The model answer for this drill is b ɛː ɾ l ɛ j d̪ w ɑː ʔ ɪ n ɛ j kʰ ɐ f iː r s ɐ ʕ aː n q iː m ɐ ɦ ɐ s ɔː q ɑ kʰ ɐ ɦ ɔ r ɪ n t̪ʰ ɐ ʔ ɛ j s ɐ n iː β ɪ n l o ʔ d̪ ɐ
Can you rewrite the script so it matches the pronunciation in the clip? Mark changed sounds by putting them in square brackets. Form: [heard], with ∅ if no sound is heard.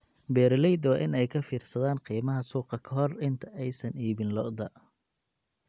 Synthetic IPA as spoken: b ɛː ɾ l ɛ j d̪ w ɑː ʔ ɪ n ɛ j kʰ ɐ f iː r s ɐ [ð] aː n q iː m ɐ ɦ ɐ s [uː] q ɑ kʰ ɐ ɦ ɔ r ɪ n t̪ʰ ɐ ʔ ɛ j s ɐ n iː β ɪ n l [ɔ] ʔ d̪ ɐ